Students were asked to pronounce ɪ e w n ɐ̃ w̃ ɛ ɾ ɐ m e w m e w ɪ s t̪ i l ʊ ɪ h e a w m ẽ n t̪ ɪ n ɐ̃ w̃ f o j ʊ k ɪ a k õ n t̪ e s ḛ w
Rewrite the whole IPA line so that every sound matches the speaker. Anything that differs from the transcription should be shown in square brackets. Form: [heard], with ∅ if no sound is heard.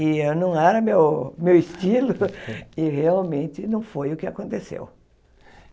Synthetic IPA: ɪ e w n ɐ̃ w̃ ɛ ɾ ɐ m e w m e w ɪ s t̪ i l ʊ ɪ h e a w m ẽ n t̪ ɪ n ɐ̃ w̃ f o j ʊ k ɪ a k õ n t̪ e s ḛ w

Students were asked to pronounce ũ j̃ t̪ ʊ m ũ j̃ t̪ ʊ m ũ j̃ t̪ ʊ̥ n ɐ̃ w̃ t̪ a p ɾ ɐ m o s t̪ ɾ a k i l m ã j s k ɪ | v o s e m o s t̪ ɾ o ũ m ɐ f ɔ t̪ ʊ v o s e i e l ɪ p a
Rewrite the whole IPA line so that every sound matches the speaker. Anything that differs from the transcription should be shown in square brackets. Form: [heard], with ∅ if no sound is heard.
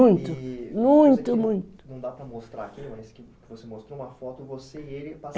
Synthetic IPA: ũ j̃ t̪ ʊ m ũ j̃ t̪ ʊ m ũ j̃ t̪ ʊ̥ n ɐ̃ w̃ [d̪] a p ɾ ɐ m o s t̪ ɾ a k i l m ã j s k ɪ | v o s e m o s t̪ ɾ o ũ m ɐ f ɔ t̪ ʊ v o s e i e l ɪ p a

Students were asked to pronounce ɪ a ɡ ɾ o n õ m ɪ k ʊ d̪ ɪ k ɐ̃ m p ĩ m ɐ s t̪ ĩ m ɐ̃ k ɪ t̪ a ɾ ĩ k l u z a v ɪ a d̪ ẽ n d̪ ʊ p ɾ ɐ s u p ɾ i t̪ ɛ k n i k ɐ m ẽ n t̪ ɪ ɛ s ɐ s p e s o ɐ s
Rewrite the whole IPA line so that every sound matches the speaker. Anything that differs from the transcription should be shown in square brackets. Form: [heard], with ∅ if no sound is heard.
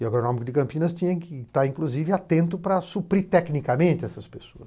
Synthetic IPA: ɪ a ɡ ɾ o n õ m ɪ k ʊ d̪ ɪ k ɐ̃ m p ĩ [n] ɐ s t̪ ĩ [ɲ] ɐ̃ k ɪ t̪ a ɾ ĩ k l u z [i] v ɪ a [t̪] ẽ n [t̪] ʊ p ɾ ɐ s u p ɾ i t̪ ɛ k n i k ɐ m ẽ n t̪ ɪ ɛ s ɐ s p e s o ɐ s

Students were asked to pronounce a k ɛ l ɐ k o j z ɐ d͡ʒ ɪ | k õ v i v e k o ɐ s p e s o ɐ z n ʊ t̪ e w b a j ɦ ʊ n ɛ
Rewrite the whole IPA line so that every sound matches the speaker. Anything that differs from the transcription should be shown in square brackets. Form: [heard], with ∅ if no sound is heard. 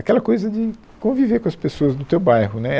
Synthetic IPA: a k ɛ l ɐ k o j z ɐ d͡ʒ ɪ | k õ v i v e k [õ] ɐ s p e s o ɐ z n ʊ t̪ e w b a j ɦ ʊ n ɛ

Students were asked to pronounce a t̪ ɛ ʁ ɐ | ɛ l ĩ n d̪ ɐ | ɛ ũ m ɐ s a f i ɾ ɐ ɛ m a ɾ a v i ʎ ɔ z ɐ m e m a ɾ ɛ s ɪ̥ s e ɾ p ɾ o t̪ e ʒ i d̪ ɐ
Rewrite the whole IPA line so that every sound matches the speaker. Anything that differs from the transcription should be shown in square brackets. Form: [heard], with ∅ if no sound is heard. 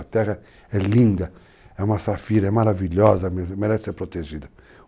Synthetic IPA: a t̪ ɛ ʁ ɐ | ɛ l ĩ n d̪ ɐ | ɛ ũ m ɐ s a f i ɾ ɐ ɛ m a ɾ a v i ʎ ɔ z ɐ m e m [e] ɾ ɛ s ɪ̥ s e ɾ p ɾ o t̪ e ʒ i d̪ ɐ

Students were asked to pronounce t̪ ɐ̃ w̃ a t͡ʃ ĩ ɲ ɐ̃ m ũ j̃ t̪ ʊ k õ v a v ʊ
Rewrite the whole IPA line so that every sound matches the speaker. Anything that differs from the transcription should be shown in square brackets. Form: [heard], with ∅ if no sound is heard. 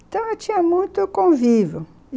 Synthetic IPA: t̪ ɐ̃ w̃ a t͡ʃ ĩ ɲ [ɐ] m ũ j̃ t̪ ʊ k õ v [i] v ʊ

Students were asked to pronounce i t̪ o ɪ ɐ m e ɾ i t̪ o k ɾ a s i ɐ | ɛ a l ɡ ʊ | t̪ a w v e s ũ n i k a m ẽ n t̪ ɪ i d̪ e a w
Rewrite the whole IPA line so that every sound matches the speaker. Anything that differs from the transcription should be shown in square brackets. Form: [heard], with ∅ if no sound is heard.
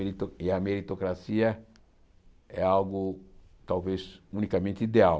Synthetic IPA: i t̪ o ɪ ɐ m e ɾ i t̪ o k ɾ a s i ɐ | ɛ a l ɡ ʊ | t̪ a w v e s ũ n i k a m ẽ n t̪ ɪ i d̪ e a w

